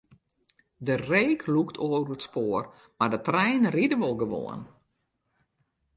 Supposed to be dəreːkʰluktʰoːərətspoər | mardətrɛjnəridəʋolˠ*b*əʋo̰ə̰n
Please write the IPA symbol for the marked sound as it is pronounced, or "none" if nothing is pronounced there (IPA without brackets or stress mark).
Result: ɡ